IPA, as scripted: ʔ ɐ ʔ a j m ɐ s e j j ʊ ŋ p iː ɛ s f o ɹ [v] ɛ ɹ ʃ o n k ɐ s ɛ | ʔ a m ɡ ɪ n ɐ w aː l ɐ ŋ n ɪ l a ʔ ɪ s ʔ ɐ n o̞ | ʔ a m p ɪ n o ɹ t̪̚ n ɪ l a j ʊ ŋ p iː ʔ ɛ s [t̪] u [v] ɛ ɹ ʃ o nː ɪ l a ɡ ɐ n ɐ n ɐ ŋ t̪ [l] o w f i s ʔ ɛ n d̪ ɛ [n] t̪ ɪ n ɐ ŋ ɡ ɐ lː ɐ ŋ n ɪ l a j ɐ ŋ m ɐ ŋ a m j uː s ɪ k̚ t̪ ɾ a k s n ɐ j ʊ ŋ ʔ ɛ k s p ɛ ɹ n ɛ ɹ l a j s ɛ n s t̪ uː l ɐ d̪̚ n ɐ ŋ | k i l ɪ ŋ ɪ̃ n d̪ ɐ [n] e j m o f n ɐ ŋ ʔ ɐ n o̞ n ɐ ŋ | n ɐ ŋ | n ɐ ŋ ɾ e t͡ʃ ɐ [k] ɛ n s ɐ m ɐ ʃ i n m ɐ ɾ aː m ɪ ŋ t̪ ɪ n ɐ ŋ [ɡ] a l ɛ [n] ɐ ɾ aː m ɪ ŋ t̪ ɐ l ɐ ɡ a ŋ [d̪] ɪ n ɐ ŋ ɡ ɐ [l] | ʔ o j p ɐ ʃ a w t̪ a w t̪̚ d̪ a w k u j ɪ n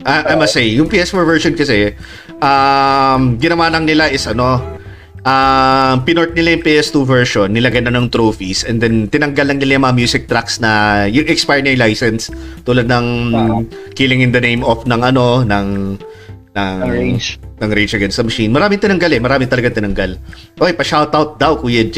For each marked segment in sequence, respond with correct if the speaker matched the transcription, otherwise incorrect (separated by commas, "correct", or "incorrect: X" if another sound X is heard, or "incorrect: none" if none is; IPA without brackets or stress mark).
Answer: correct, correct, correct, incorrect: ɾ, correct, correct, incorrect: ɡ, correct, incorrect: m, incorrect: t̪, correct